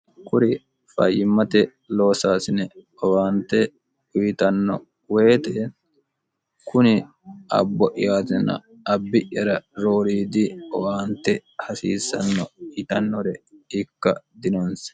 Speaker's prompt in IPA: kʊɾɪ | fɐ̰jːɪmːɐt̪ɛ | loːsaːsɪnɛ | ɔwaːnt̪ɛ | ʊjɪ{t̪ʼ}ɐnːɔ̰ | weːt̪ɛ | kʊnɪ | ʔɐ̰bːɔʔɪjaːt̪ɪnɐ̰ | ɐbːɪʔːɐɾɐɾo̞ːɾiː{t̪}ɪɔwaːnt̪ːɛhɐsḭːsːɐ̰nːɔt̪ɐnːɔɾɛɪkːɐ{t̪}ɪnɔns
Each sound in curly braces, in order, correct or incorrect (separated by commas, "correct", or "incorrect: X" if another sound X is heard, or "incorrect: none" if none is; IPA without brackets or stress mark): incorrect: t̪, incorrect: d̪, incorrect: d̪